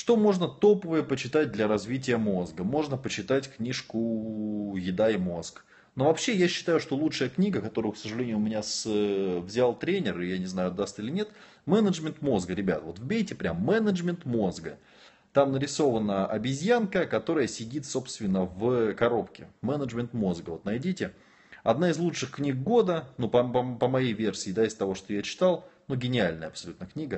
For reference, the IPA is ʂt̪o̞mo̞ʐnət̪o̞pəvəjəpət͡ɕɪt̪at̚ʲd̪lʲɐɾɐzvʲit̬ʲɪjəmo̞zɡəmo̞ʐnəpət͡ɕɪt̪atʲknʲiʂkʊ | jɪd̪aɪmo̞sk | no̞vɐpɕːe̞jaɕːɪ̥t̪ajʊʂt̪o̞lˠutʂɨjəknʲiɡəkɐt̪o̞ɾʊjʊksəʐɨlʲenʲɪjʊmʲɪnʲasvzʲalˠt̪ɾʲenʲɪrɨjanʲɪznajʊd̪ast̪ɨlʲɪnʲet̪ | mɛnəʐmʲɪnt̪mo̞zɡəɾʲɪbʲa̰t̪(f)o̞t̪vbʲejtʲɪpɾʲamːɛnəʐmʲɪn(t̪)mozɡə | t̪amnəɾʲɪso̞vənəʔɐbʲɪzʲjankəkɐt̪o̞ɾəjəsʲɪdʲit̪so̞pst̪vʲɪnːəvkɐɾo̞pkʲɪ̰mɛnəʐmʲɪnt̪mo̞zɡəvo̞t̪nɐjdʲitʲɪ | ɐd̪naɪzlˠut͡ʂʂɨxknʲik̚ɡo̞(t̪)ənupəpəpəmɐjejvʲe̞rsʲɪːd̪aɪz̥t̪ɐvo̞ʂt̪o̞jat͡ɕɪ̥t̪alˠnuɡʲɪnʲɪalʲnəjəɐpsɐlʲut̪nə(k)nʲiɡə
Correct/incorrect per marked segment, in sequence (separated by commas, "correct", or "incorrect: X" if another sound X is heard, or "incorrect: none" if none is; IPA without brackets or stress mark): incorrect: v, correct, incorrect: d̪, correct